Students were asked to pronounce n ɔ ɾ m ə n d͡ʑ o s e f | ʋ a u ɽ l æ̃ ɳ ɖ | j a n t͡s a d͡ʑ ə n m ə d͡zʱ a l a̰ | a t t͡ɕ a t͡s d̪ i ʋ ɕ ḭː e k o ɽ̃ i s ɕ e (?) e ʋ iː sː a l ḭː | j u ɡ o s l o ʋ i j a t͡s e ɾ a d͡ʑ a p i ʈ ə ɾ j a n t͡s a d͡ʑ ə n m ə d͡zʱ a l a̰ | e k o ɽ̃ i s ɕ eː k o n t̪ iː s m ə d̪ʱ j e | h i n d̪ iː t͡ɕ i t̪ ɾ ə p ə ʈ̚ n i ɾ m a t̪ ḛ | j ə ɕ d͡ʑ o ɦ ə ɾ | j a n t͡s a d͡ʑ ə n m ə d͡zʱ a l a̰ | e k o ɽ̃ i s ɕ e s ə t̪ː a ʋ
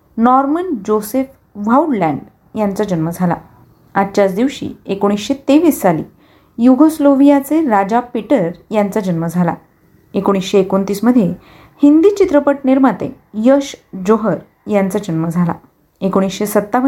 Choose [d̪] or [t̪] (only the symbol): t̪